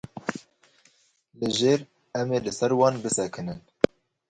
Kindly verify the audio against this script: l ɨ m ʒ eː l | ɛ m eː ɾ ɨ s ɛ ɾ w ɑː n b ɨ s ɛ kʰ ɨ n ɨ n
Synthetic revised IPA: l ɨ ʒ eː ɾ | ɛ m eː l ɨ s ɛ ɾ w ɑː n b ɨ s ɛ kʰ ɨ n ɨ n